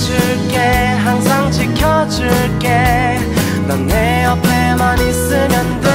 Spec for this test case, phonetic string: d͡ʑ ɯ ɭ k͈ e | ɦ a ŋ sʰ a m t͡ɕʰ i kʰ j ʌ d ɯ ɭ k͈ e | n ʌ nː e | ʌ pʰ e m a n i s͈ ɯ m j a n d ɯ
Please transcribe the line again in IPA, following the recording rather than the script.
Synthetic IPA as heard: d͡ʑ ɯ ɭ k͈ e | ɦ a ŋ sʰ a ŋ t͡ɕʰ i kʰ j ʌ d͡ʑ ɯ ɭ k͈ e | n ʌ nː e | ʌ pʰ e m a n i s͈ ɯ m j ʌ n d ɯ